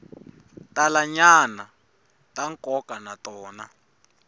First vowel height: low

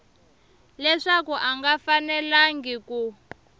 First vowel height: mid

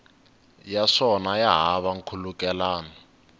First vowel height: low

